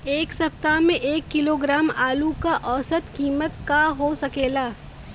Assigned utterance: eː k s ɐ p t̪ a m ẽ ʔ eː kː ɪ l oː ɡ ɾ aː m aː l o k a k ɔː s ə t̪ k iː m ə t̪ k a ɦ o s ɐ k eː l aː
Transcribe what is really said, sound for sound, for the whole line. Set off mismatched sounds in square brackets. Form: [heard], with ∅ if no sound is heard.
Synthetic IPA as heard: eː k s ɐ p t̪ a m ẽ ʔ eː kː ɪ l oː ɡ ɾ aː m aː l [u] k a [ʔ] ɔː s ə t̪ k iː m ə t̪ k a ɦ o s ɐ k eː l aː